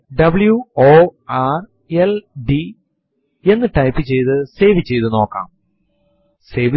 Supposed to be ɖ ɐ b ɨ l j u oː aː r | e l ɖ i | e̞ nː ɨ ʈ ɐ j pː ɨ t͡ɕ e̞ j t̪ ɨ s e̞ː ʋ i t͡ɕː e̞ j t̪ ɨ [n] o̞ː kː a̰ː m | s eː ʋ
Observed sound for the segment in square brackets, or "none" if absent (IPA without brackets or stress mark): n